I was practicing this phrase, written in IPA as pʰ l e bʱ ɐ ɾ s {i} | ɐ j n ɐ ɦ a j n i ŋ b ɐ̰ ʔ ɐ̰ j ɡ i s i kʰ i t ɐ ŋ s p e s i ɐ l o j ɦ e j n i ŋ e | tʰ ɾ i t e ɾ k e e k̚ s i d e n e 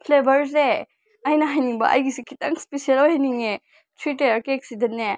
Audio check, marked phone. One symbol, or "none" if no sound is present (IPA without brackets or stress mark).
e